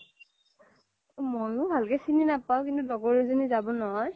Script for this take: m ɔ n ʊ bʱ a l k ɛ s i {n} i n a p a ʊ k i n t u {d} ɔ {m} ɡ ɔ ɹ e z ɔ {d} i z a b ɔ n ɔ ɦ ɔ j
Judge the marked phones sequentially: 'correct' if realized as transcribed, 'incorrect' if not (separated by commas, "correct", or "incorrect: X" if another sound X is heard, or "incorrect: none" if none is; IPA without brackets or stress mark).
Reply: correct, correct, incorrect: none, incorrect: n